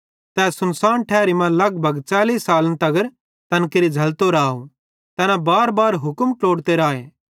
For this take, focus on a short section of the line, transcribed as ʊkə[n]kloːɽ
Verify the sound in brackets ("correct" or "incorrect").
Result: incorrect